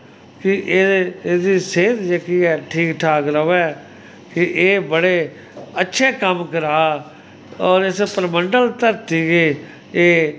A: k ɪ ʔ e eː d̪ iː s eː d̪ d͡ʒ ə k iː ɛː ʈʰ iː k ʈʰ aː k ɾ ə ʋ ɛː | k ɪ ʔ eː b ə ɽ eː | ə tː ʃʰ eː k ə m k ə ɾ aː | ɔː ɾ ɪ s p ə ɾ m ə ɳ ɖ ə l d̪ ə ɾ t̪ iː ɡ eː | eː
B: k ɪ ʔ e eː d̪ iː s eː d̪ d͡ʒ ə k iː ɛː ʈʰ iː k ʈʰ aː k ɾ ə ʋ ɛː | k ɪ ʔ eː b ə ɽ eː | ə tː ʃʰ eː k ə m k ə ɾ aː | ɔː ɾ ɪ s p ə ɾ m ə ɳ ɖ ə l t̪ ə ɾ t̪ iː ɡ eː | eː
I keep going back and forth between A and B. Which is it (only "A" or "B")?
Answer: B